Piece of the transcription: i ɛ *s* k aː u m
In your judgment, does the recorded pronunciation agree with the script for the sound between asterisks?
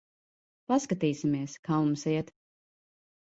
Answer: yes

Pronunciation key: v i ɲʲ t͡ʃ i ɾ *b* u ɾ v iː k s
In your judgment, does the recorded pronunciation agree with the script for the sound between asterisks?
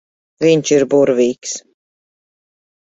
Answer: yes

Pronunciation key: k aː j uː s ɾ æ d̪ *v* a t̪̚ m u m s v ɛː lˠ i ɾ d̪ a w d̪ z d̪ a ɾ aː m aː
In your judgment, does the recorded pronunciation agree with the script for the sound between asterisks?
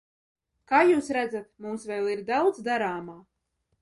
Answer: no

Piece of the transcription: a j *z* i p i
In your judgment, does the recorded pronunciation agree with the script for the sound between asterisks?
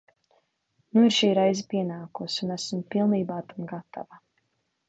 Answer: yes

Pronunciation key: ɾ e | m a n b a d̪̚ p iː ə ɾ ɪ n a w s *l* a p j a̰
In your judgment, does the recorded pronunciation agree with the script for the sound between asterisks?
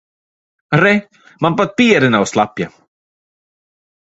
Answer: yes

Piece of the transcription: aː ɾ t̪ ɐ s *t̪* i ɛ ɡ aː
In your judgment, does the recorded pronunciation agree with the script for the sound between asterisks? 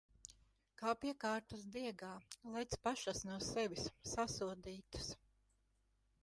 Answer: no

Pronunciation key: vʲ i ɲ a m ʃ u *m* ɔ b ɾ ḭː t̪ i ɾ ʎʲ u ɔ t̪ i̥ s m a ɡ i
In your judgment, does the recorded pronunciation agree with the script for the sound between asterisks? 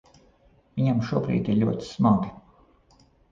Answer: no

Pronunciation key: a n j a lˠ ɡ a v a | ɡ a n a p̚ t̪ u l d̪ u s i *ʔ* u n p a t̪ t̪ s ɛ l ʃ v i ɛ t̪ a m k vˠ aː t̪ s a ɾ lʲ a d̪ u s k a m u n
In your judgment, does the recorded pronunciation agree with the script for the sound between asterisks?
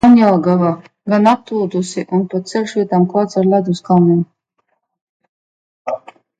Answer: yes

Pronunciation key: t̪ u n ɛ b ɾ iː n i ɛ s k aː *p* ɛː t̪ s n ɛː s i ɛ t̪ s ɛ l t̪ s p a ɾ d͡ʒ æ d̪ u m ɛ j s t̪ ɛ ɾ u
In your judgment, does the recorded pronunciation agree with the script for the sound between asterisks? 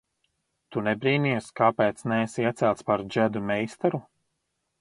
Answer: yes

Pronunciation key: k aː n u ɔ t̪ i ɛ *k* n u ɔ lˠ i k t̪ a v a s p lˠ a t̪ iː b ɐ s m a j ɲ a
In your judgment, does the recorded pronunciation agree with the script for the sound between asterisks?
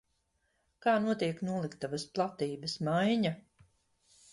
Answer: yes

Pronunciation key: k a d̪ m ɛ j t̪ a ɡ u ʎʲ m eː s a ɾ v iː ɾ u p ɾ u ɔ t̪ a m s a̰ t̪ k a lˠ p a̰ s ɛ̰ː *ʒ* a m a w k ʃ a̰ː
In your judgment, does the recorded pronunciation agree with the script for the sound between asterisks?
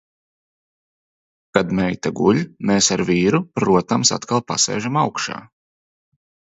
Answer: yes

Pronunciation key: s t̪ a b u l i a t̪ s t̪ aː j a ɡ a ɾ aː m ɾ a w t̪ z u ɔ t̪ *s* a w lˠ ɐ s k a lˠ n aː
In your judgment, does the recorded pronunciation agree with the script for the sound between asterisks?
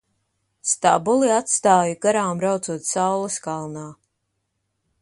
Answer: yes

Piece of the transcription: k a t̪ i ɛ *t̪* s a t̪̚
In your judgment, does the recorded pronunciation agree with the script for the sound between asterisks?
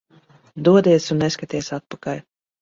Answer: no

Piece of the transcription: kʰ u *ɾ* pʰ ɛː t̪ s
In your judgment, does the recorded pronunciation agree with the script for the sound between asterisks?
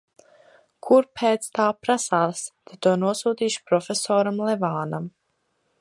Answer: yes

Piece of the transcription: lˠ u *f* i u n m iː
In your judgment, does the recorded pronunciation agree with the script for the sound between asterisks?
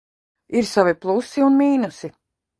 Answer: no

